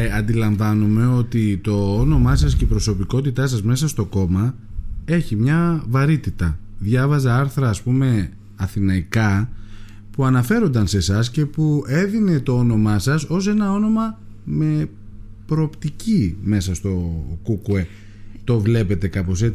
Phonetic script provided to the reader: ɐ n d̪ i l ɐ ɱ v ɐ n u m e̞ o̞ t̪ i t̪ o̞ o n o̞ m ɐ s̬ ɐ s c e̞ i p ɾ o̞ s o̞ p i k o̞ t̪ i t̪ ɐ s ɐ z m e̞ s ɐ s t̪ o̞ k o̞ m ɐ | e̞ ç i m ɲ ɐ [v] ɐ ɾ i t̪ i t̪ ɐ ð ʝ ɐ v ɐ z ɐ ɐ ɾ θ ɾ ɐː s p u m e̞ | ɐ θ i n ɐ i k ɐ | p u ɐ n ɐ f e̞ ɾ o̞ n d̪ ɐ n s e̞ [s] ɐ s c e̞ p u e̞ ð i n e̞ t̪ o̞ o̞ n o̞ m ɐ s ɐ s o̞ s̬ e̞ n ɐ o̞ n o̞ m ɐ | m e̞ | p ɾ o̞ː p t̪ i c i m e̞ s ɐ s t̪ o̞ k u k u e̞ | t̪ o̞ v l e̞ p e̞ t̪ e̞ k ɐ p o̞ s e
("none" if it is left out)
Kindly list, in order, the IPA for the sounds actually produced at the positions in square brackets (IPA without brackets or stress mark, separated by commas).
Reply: v, s